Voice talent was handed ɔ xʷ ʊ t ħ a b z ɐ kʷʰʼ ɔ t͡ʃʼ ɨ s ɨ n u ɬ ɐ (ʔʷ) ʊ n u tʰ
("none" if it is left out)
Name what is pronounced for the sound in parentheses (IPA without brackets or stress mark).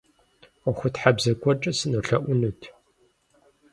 ʔʷ